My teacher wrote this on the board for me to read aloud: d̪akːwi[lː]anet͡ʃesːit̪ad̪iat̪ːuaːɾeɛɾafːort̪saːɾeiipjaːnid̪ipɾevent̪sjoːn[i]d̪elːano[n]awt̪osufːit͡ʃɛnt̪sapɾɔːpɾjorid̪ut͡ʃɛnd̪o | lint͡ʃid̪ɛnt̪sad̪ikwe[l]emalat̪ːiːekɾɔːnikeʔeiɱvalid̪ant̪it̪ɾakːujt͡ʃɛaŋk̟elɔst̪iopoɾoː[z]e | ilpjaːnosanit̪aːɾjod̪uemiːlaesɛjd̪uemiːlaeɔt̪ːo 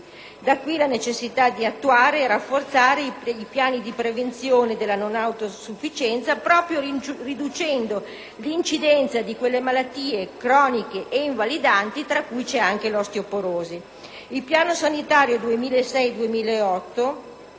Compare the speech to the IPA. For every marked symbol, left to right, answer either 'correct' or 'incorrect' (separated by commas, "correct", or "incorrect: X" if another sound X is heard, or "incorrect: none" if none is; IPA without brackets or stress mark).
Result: incorrect: l, incorrect: e, correct, incorrect: lː, correct